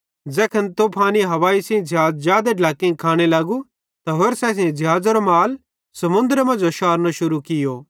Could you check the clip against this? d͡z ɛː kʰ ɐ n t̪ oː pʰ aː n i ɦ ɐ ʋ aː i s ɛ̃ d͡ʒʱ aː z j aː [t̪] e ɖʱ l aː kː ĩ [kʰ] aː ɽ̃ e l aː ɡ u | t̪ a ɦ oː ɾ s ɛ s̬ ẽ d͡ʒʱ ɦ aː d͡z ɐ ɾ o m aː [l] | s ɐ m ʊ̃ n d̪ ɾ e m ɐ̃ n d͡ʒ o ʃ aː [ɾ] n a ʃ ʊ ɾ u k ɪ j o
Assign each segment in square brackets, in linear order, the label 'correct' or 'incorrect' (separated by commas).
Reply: incorrect, correct, correct, correct